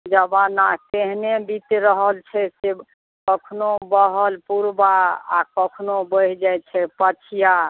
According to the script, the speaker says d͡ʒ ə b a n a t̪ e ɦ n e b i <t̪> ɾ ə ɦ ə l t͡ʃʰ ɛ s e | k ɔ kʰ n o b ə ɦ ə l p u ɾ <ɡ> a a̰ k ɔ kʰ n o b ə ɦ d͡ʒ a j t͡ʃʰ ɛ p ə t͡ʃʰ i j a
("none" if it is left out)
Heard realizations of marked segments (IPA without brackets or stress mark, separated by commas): t̪, b